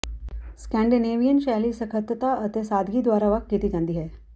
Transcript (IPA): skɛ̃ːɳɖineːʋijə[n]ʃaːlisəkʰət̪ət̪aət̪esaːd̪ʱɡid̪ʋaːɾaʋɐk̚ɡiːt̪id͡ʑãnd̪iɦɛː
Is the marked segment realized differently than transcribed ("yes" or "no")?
no